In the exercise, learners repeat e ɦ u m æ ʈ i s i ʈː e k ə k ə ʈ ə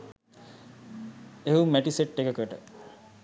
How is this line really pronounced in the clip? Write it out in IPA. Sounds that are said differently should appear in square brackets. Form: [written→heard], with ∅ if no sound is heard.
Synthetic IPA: e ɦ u m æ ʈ i s [i→e] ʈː e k ə k ə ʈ ə